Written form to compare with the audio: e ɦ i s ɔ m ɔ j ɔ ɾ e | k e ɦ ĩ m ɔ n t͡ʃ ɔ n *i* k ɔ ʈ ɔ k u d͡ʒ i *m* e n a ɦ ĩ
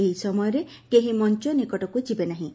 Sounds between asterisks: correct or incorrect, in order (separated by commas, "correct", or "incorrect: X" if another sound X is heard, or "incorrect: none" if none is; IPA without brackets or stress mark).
correct, incorrect: b